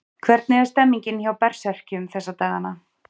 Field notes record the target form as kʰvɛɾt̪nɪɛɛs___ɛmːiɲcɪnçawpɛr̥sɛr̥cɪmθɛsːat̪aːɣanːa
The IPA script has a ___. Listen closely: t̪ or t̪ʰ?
t̪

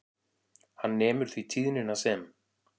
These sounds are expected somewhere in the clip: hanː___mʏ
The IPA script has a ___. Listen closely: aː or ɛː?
ɛː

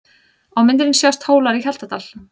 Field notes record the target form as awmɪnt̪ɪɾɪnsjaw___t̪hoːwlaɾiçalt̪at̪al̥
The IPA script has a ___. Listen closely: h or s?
s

